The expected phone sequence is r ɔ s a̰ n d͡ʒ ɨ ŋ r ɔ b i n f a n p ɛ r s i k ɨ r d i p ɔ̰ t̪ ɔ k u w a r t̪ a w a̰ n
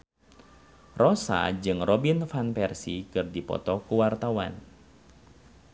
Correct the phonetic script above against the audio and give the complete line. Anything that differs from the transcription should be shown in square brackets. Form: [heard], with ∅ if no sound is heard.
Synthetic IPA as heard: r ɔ s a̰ [∅] d͡ʒ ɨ ŋ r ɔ b i n f a n p ɛ r s i k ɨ r d i p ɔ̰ t̪ ɔ k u w a r t̪ a w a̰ n